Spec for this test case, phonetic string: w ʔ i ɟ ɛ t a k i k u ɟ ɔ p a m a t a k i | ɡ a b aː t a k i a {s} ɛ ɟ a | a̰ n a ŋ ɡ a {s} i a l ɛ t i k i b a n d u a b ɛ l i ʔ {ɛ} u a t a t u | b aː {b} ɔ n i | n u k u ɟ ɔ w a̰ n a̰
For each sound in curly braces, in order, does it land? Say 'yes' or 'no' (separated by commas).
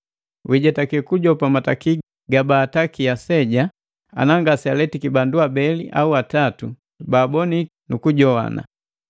yes, yes, no, yes